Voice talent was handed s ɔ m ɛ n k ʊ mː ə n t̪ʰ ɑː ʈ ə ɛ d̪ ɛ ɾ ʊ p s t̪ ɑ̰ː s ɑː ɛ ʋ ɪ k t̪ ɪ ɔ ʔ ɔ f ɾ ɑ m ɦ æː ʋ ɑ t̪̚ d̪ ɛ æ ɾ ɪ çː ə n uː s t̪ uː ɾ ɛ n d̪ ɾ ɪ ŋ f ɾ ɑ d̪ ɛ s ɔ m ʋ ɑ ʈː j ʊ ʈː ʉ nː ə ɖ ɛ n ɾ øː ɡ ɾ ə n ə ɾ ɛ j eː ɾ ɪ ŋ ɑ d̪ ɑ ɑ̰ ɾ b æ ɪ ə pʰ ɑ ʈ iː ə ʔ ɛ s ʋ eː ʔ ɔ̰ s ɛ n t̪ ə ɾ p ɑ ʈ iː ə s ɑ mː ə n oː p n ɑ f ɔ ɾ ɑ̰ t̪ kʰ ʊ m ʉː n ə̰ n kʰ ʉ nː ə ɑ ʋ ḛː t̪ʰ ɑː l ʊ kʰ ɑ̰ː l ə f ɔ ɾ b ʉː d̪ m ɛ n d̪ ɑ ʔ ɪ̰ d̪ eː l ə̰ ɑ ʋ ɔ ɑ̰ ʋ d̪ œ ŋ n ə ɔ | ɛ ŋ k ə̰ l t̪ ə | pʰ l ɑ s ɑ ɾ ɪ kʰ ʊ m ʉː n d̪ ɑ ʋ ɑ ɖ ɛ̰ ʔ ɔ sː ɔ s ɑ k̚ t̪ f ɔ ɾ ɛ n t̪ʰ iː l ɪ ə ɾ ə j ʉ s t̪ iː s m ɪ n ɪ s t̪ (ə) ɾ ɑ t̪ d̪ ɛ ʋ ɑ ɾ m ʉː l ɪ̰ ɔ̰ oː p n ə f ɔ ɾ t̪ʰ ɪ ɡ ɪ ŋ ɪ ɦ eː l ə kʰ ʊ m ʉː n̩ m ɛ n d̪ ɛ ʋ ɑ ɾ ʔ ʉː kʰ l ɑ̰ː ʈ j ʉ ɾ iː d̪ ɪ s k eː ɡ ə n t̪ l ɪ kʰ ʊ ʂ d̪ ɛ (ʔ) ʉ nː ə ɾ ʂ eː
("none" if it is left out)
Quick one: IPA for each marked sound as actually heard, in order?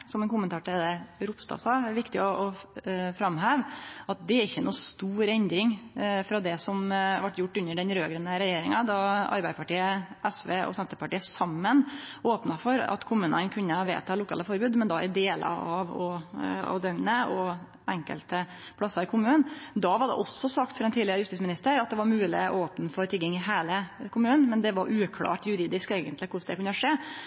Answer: ə, k

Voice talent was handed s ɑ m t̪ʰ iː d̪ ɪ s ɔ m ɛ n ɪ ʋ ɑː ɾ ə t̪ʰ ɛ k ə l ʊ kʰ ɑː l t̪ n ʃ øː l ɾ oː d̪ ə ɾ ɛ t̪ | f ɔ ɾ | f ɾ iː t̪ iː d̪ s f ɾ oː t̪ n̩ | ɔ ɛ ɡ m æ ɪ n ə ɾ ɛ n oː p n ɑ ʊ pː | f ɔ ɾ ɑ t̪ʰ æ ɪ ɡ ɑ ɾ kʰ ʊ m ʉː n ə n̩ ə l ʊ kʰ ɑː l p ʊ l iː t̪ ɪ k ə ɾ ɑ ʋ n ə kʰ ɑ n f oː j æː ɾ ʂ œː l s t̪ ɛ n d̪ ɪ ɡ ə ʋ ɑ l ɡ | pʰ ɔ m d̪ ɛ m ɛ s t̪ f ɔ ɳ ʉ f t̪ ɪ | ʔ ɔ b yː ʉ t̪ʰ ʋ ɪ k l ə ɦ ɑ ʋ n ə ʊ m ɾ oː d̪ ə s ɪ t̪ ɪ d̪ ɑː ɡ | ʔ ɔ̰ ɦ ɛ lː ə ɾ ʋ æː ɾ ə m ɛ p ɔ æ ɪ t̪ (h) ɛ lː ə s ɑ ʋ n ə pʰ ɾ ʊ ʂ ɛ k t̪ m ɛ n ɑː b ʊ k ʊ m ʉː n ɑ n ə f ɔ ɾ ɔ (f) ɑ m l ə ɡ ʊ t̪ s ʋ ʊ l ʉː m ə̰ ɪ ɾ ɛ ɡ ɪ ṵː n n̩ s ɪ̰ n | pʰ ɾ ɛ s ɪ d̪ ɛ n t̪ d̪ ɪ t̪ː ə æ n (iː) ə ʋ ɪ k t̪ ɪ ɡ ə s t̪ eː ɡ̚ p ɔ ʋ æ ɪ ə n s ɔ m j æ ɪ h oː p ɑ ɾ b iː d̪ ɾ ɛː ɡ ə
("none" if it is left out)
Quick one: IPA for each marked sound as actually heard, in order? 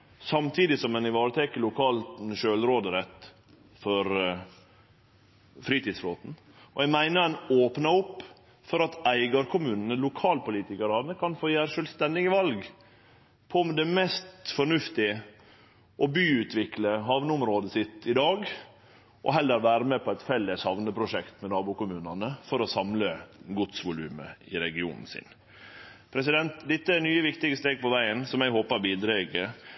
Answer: f, s, yː

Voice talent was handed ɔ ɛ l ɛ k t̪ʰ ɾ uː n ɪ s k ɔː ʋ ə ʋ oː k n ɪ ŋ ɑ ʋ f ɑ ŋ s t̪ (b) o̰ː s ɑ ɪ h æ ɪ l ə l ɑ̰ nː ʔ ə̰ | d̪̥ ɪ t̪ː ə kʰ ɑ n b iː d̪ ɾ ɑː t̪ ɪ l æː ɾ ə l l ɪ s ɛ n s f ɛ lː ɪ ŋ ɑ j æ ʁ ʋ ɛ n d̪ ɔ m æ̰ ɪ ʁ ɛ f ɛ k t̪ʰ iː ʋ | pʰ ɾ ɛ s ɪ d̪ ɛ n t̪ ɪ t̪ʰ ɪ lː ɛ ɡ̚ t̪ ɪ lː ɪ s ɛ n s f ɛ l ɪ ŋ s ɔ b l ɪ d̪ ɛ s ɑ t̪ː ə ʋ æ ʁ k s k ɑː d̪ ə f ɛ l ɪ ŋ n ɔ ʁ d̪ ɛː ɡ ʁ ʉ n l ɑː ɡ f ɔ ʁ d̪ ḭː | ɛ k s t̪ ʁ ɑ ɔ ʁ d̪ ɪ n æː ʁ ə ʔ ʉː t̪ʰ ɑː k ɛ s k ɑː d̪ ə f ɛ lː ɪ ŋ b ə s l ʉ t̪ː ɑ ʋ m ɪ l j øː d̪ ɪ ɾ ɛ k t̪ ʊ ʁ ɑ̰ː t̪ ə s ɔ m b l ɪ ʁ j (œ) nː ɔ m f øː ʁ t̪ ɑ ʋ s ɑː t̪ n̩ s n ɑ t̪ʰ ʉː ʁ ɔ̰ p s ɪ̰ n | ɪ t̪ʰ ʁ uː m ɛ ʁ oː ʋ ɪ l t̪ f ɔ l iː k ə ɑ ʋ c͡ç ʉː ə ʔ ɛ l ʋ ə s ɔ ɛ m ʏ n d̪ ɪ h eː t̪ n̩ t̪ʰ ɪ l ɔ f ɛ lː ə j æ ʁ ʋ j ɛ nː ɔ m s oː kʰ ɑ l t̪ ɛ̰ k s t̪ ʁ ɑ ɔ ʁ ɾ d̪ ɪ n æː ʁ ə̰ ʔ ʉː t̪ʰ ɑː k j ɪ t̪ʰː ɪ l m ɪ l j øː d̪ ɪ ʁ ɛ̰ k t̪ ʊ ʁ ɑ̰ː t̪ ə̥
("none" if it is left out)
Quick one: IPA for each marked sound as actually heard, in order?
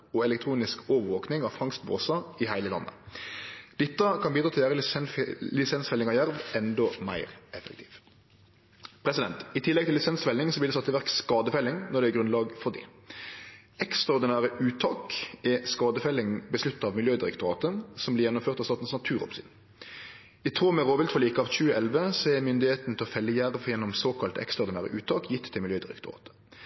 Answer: b, ɛ

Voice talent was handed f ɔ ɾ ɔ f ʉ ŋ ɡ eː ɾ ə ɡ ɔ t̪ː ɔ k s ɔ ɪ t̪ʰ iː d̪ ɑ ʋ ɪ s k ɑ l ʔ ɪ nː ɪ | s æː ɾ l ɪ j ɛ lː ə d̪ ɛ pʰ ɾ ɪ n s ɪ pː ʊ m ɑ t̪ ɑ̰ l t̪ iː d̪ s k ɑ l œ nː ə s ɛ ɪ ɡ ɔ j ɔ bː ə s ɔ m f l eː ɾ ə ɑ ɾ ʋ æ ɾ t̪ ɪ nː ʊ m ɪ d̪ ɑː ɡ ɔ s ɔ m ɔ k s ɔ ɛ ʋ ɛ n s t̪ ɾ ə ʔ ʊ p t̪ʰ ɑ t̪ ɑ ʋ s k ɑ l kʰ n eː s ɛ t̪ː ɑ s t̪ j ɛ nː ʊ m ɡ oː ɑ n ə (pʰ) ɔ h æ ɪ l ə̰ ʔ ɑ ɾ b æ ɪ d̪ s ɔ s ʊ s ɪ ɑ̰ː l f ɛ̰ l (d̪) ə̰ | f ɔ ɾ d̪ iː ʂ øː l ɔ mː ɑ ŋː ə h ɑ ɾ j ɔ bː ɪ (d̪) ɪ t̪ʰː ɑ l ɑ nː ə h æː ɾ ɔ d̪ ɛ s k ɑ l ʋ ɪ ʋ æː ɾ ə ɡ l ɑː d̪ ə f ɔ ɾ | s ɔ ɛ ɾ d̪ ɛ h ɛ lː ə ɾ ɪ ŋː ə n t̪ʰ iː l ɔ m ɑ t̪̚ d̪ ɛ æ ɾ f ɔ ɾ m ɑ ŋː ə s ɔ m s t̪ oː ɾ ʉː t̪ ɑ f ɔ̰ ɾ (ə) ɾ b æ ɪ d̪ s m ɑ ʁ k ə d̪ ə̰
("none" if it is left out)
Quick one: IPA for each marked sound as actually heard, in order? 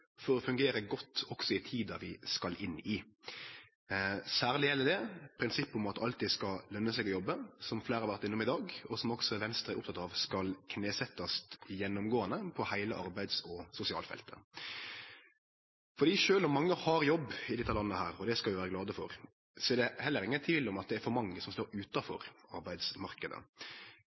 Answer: pʰ, t̪, d̪, ɑ

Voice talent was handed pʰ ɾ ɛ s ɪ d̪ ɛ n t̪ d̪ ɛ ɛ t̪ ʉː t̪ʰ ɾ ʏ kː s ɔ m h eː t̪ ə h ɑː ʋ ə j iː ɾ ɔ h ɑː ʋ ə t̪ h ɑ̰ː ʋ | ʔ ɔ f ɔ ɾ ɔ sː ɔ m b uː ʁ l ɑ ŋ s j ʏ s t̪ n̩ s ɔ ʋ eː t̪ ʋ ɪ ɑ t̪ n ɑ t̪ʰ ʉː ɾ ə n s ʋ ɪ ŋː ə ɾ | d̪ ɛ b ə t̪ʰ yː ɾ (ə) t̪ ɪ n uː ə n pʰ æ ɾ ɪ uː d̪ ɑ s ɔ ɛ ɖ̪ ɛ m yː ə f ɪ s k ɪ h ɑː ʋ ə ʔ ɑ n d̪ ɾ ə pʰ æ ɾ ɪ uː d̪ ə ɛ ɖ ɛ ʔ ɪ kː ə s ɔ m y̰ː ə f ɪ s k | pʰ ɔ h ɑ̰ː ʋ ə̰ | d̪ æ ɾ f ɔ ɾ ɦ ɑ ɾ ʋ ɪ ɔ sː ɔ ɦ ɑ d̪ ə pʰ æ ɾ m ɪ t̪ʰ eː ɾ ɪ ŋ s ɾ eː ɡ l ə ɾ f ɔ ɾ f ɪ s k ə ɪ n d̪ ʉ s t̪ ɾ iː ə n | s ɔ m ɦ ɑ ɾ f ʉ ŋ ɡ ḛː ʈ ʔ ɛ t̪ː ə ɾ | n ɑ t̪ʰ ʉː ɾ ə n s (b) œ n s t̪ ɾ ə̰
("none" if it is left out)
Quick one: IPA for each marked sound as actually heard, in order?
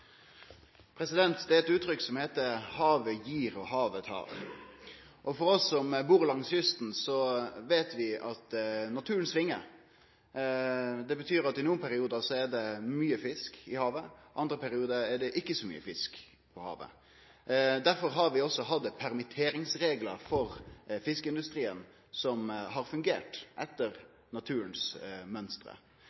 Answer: ɑ, m

